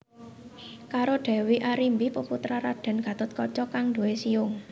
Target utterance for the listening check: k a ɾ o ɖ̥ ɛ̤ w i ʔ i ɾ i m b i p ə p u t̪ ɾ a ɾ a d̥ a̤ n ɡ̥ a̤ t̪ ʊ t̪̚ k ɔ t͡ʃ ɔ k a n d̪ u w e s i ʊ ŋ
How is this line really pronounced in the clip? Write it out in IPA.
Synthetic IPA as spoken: k a ɾ o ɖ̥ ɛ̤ w i ʔ a ɾ i m b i p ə p u t̪ ɾ a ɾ a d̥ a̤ n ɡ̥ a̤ t̪ ʊ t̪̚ k ɔ t͡ʃ ɔ k a ŋ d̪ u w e s i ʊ ŋ